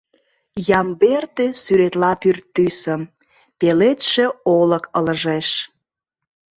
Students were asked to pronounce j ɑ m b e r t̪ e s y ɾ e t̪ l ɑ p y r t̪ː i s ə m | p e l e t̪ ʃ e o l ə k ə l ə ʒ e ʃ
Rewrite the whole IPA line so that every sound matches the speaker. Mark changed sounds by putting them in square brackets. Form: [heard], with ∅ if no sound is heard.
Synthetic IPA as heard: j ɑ m b e r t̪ e s y ɾ e t̪ l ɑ p y r t̪ː [y] s ə m | p e l e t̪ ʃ e o l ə k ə l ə ʒ e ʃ